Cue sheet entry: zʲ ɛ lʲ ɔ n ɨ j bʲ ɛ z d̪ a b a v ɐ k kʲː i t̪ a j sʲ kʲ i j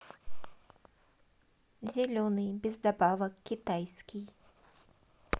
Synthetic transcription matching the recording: zʲ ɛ lʲ ɔ n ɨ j bʲ ɛ z d̪ a b a v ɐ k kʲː i t̪ a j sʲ kʲ i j